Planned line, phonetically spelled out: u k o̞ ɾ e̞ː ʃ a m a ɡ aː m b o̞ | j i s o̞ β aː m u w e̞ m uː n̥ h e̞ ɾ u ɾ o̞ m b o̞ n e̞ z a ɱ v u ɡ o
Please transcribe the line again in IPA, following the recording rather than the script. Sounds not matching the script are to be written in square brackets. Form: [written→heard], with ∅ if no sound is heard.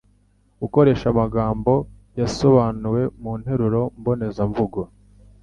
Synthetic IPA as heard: u k o̞ ɾ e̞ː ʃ a m a ɡ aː m b o̞ | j [i→a] s o̞ β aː [m→n] u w e̞ m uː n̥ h e̞ ɾ u ɾ o̞ m b o̞ n e̞ z a ɱ v u ɡ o